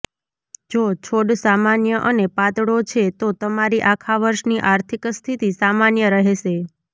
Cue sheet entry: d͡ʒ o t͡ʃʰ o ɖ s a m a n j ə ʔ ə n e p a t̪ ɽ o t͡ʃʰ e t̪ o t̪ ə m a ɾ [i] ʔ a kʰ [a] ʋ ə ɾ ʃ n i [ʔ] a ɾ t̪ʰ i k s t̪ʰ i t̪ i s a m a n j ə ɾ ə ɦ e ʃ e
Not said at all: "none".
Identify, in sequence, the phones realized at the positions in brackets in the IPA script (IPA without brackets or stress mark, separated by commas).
i, a, ʔ